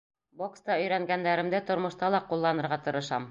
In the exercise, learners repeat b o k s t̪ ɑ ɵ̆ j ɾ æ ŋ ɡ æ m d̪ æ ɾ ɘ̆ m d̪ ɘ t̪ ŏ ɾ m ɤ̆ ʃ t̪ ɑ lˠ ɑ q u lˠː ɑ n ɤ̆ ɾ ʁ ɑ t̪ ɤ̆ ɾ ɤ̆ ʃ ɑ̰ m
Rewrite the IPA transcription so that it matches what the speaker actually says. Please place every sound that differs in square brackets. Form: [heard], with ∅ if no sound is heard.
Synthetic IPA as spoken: b o k s t̪ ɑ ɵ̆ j ɾ æ ŋ ɡ æ [n] d̪ æ ɾ ɘ̆ m d̪ ɘ t̪ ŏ ɾ m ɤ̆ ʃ t̪ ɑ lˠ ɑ q u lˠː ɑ n ɤ̆ ɾ ʁ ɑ t̪ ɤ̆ ɾ ɤ̆ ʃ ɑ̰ m

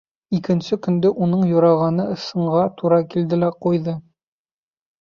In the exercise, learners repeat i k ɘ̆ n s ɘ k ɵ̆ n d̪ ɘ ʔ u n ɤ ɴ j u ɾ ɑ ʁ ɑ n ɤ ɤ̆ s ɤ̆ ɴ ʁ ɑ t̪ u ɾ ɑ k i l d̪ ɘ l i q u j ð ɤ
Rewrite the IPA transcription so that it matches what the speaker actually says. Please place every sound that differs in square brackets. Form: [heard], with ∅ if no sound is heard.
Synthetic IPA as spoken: i k ɘ̆ n s ɘ k ɵ̆ n d̪ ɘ ʔ u n ɤ ɴ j u ɾ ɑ ʁ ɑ n ɤ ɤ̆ s ɤ̆ ɴ ʁ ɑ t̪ u ɾ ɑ k i l d̪ ɘ l [æ] q u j ð ɤ

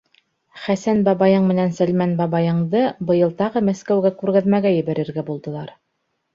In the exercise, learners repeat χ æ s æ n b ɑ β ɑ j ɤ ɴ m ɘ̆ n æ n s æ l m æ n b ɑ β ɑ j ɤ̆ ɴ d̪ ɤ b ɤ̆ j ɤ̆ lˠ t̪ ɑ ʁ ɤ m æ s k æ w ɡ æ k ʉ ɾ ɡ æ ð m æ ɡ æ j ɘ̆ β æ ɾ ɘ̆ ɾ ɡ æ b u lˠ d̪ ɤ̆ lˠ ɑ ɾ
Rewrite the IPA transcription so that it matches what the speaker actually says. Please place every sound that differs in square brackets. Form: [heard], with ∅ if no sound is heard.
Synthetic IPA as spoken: χ æ s æ n b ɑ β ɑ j ɤ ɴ m ɘ̆ n æ n s æ l m æ n b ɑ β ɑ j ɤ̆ ɴ d̪ ɤ b ɤ̆ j ɤ̆ lˠ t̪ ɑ ʁ ɤ m æ s k æ w ɡ æ k ʉ ɾ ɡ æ ð m æ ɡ æ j ɘ̆ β æ ɾ ɘ̆ ɾ ɡ æ b u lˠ d̪ ɤ̆ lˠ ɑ ɾ

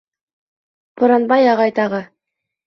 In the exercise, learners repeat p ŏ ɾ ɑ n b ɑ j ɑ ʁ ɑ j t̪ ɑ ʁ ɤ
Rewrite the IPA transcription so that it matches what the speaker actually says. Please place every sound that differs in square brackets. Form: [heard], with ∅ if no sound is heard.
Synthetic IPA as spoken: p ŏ ɾ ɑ n b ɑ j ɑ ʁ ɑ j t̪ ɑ ʁ ɤ

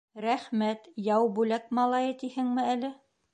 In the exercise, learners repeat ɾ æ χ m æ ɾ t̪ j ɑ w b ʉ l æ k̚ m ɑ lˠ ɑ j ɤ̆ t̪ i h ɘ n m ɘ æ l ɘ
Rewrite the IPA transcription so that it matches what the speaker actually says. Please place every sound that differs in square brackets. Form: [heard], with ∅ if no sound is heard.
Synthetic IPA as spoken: ɾ æ χ m æ [∅] t̪ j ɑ w b ʉ l æ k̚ m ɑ lˠ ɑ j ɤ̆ t̪ i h ɘ [ŋ] m ɘ æ l ɘ

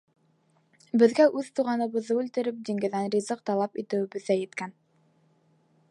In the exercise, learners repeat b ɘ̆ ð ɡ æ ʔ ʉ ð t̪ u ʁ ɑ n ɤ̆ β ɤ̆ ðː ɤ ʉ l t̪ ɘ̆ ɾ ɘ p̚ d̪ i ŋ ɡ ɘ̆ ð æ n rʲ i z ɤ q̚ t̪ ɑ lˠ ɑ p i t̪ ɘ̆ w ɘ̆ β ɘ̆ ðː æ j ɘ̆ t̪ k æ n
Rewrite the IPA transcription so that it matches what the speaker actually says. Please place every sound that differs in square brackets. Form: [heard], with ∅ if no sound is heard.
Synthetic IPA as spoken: b ɘ̆ ð ɡ æ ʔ ʉ ð t̪ u ʁ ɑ n ɤ̆ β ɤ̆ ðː ɤ ʉ l t̪ ɘ̆ ɾ ɘ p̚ d̪ i ŋ ɡ ɘ̆ ð æ n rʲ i z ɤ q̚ t̪ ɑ lˠ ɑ p i t̪ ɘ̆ w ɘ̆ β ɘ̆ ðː æ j ɘ̆ t̪ k æ n

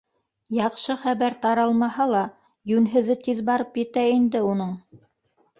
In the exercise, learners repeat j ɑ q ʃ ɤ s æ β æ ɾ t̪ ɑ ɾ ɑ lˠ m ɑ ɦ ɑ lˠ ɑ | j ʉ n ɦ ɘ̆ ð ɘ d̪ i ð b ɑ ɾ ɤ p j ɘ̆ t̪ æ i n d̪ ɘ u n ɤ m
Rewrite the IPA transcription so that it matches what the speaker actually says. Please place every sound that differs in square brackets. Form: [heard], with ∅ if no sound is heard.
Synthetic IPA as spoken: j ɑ q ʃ ɤ [χ] æ β æ ɾ t̪ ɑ ɾ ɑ lˠ m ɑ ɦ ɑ lˠ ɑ | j ʉ n ɦ ɘ̆ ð ɘ [t̪] i ð b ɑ ɾ ɤ p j ɘ̆ t̪ æ i n d̪ ɘ u n ɤ [ɴ]

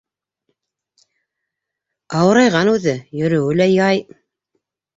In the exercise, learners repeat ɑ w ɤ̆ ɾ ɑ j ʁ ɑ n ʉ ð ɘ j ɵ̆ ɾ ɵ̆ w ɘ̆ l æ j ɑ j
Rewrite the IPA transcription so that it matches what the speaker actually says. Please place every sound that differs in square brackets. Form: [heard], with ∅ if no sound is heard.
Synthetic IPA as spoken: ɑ w ɤ̆ ɾ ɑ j ʁ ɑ n ʉ ð ɘ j ɵ̆ ɾ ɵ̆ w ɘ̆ l æ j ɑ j

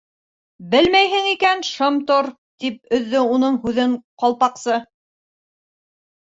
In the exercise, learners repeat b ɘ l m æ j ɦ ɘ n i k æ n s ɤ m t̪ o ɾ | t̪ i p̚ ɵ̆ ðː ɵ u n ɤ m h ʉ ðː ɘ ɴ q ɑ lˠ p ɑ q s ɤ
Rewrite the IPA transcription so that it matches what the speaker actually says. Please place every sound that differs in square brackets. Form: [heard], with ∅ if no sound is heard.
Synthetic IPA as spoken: b ɘ l m æ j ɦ ɘ [ŋ] i k æ n [ʃ] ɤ m t̪ o ɾ | t̪ i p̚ ɵ̆ ðː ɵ u n ɤ [ɴ] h ʉ [ð] ɘ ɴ q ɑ lˠ p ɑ q s ɤ

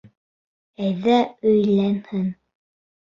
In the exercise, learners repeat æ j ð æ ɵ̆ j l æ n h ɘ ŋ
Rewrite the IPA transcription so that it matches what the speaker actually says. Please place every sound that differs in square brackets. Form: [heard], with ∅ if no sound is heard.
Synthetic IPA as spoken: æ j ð æ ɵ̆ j l æ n h ɘ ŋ

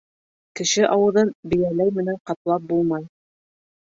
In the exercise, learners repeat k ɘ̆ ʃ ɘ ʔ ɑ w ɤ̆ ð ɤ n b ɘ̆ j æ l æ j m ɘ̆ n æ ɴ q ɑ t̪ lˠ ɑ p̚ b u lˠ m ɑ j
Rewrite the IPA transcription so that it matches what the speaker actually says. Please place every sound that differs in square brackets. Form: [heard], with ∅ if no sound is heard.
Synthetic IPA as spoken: k ɘ̆ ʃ ɘ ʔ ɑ w ɤ̆ ð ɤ n b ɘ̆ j æ l æ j m ɘ̆ n æ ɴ q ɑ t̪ lˠ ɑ p̚ b u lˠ m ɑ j

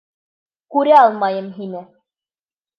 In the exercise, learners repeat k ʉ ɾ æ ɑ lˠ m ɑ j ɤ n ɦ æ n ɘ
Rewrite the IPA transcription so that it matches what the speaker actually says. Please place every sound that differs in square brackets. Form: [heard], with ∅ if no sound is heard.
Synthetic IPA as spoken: k ʉ ɾ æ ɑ lˠ m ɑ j ɤ [m] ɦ [i] n ɘ

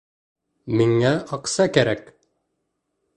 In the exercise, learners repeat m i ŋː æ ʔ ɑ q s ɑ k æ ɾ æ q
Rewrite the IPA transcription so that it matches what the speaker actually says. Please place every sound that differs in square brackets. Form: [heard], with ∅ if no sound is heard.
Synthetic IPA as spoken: m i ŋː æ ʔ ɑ q s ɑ k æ ɾ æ [k]

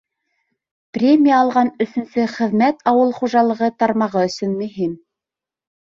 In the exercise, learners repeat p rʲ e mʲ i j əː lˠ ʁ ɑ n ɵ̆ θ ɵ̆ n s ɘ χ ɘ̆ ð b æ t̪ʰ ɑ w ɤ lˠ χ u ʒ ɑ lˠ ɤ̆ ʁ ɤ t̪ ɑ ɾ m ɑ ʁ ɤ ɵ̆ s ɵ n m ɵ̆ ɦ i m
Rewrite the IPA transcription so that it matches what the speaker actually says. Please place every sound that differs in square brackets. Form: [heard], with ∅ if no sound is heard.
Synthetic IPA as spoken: p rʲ e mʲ i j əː lˠ ʁ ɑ n ɵ̆ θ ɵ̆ n s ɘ χ ɘ̆ ð [m] æ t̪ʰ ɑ w ɤ lˠ χ u ʒ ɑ lˠ ɤ̆ ʁ ɤ t̪ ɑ ɾ m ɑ ʁ ɤ ɵ̆ s ɵ n m ɵ̆ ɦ i m

